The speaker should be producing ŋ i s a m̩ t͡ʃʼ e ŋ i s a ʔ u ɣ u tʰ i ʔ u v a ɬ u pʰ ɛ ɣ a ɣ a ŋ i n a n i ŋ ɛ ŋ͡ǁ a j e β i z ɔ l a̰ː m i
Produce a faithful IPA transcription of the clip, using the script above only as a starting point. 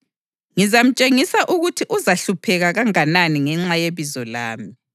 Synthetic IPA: ŋ i z a m̩ t͡ʃʼ e ŋ i s a ʔ u ɣ u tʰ i ʔ u z a ɬ u pʰ ɛ ɣ a ɣ a ŋ a n a n i ŋ ɛ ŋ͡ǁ a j e β i z ɔ l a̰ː m i